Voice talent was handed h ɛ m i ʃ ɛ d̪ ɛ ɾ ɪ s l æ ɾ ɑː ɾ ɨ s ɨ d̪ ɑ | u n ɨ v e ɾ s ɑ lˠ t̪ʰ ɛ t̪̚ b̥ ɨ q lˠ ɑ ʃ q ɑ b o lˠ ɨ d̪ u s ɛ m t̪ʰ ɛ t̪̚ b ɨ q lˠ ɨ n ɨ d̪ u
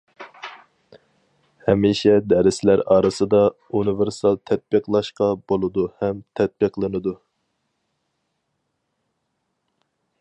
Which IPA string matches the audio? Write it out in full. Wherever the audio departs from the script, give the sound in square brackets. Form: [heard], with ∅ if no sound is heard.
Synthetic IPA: h ɛ m i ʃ ɛ d̪ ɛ ɾ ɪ s l æ ɾ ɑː ɾ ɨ s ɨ d̪ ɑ | u n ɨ v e ɾ s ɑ lˠ t̪ʰ ɛ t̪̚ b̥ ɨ q lˠ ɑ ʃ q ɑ b o lˠ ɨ d̪ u [h] ɛ m t̪ʰ ɛ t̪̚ b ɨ q lˠ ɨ n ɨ d̪ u